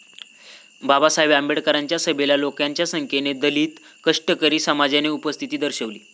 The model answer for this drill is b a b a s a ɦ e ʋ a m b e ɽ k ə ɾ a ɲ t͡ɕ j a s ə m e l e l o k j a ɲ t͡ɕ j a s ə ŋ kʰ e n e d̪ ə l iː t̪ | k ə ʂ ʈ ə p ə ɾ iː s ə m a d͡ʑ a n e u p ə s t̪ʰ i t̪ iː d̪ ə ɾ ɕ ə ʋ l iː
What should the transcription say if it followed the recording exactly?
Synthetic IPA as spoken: b a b a s a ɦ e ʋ a m b e ɽ k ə ɾ a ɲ t͡ɕ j a s ə b e l a l o k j a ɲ t͡ɕ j a s ə ŋ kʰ e n e d̪ ə l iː t̪ | k ə ʂ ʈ ə k ə ɾ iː s ə m a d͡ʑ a n e u p ə s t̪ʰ i t̪ iː d̪ ə ɾ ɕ ə ʋ l iː